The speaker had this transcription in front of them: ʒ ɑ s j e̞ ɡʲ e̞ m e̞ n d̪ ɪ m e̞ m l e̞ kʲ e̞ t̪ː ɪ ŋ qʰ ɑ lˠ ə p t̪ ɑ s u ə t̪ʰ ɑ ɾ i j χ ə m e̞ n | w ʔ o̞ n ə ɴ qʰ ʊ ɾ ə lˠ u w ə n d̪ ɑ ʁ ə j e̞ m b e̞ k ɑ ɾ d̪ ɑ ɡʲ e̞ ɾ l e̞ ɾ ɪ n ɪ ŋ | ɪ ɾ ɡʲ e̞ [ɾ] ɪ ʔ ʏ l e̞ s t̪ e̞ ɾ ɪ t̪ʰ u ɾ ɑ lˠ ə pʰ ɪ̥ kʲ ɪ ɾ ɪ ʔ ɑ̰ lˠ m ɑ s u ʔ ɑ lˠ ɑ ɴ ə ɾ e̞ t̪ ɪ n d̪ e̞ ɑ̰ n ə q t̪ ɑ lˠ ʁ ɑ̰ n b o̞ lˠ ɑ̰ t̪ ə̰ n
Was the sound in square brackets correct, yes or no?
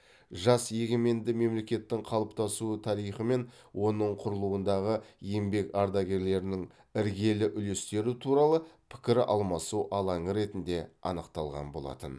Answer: no